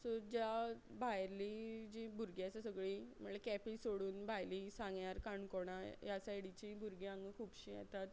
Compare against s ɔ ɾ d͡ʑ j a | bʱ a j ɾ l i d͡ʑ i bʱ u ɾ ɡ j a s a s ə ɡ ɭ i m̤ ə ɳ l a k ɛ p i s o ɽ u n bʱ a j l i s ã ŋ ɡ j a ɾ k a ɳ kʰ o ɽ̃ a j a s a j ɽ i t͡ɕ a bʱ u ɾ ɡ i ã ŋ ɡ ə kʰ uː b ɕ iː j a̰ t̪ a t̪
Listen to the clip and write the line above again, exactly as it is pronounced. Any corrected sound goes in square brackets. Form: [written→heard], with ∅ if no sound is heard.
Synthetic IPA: s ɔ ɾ d͡ʑ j a | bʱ a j ɾ l i d͡ʑ i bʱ u ɾ ɡ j a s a s ə ɡ ɭ i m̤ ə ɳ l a k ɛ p i s o ɽ [u→uː] n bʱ a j l i s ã ŋ ɡ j a ɾ k a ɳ [kʰ→k] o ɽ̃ a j a s a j ɽ i t͡ɕ [a→i] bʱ u ɾ ɡ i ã ŋ ɡ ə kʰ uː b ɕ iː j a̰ t̪ a t̪